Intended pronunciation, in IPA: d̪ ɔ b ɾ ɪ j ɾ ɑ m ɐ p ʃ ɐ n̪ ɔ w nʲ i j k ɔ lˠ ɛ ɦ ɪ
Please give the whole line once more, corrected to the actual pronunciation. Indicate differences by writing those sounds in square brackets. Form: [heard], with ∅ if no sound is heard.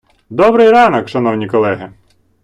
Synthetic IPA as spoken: d̪ ɔ b ɾ ɪ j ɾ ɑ [n] ɐ [k] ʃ ɐ n̪ ɔ w nʲ i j k ɔ lˠ ɛ ɦ ɪ